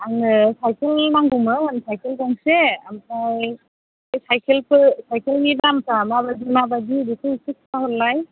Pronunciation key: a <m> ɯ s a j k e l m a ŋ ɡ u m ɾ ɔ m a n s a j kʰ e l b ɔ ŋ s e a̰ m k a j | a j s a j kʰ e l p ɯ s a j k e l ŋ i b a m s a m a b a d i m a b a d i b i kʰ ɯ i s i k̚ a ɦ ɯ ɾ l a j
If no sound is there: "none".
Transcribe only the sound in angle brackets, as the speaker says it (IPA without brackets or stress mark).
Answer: ŋ